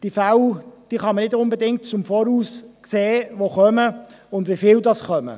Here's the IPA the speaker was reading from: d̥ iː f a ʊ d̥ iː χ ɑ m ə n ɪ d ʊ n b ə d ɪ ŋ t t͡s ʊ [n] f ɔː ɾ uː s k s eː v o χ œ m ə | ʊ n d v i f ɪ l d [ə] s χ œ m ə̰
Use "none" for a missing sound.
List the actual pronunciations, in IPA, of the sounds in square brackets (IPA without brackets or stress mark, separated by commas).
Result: m, ɑ